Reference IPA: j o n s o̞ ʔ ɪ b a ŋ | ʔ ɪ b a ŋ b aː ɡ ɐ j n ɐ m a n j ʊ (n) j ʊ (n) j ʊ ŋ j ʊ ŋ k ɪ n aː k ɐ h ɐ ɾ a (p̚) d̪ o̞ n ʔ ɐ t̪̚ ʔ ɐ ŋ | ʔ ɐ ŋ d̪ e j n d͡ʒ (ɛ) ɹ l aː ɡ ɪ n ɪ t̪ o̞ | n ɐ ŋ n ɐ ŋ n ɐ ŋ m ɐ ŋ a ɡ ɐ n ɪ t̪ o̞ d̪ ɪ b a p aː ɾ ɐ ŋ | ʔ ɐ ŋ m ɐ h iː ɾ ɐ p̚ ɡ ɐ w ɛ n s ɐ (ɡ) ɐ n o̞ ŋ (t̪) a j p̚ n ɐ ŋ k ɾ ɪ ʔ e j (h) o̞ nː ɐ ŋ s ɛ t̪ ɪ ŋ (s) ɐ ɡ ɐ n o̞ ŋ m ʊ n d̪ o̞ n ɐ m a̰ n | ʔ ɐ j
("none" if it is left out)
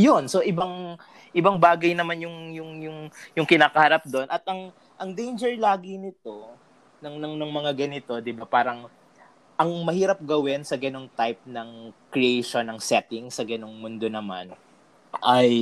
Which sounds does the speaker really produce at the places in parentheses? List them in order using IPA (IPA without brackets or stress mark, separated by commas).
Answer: ŋ, ŋ, p̚, ɛ, ɡ, t̪, ʃ, s